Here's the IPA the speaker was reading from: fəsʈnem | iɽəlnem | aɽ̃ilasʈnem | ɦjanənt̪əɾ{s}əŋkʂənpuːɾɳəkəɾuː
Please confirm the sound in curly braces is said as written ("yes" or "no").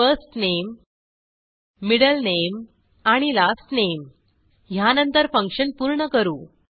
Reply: no